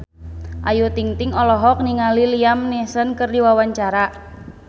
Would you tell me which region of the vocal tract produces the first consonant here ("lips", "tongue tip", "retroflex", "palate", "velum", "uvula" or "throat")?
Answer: throat